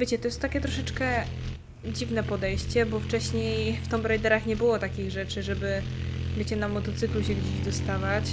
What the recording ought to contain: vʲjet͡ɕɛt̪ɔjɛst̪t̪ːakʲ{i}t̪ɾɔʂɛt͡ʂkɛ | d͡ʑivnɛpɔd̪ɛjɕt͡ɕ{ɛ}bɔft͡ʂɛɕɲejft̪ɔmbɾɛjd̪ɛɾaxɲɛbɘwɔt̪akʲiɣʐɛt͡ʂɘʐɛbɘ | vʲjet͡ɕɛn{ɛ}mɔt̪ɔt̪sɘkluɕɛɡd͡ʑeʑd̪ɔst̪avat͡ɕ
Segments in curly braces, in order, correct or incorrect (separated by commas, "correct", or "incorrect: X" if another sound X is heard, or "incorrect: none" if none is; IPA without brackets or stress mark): incorrect: ɛ, correct, incorrect: a